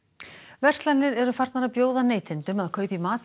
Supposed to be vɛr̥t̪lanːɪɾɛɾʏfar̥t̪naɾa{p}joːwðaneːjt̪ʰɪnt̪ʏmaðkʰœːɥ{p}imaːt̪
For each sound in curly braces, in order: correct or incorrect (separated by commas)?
correct, correct